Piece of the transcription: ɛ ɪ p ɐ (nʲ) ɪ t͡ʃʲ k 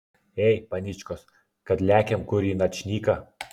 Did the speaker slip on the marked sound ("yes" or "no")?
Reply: no